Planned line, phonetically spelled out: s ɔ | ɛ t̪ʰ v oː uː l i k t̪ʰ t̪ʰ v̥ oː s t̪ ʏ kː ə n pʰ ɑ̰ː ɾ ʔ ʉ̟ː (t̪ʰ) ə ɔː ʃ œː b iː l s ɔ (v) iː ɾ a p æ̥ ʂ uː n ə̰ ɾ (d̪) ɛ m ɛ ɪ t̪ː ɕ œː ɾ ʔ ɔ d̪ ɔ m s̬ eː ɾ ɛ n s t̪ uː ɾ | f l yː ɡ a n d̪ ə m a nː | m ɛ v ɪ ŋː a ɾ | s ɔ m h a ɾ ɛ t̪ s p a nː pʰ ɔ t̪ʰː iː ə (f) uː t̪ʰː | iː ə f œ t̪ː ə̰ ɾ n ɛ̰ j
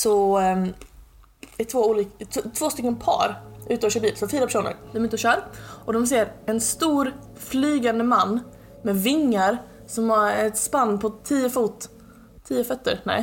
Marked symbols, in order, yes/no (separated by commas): no, no, yes, yes